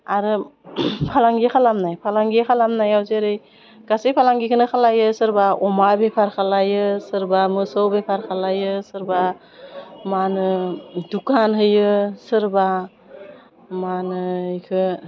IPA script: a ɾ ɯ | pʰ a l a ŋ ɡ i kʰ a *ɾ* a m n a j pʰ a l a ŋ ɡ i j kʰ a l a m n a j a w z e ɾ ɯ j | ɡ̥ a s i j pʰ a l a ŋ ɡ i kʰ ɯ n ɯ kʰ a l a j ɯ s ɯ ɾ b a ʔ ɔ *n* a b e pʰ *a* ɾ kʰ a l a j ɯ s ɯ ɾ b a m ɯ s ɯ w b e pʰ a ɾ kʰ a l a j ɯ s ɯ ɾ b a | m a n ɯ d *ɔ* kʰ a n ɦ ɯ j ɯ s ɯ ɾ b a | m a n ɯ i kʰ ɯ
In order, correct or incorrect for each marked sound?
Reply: incorrect, incorrect, correct, incorrect

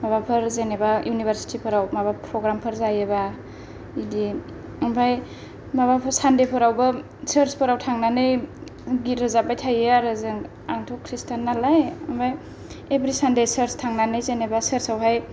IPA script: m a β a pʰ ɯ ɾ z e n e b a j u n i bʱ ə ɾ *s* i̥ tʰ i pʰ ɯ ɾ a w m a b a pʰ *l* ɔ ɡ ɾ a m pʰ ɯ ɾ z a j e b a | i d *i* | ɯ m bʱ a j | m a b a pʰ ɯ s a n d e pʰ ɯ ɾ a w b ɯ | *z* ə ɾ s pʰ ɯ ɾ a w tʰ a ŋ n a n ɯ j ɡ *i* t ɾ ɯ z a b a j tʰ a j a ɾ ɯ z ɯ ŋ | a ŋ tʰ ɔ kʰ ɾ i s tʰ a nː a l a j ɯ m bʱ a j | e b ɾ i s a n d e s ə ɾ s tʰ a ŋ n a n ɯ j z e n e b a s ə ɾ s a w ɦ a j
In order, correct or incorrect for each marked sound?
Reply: correct, incorrect, correct, incorrect, correct

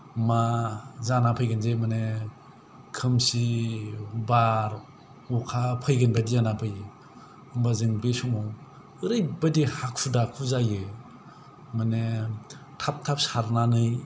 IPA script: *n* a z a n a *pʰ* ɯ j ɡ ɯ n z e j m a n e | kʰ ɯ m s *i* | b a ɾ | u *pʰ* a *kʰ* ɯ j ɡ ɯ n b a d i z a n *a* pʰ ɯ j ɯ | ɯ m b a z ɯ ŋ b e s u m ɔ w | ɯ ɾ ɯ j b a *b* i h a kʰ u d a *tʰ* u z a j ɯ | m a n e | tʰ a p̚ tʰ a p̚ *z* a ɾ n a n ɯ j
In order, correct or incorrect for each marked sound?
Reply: incorrect, correct, correct, incorrect, incorrect, correct, incorrect, incorrect, incorrect

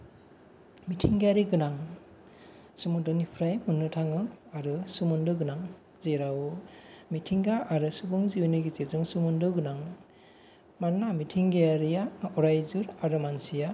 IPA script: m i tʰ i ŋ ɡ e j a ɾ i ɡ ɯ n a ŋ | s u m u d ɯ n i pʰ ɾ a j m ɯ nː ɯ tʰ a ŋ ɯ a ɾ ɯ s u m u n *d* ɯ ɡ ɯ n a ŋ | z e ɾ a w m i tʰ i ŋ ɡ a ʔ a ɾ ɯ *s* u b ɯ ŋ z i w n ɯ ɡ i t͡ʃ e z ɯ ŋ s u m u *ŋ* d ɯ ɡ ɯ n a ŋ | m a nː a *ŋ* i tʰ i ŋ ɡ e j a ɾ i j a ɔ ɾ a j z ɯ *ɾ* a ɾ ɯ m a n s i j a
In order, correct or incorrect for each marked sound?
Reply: correct, correct, incorrect, incorrect, correct

